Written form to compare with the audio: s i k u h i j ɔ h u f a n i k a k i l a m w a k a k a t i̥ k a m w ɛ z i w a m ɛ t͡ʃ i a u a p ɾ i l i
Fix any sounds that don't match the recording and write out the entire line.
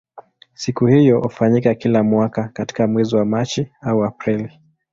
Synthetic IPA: s i k u h i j ɔ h u f a ɲ i k a k i l a m w a k a k a t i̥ k a m w ɛ z i w a m a t͡ʃ i a u a p ɾ i l i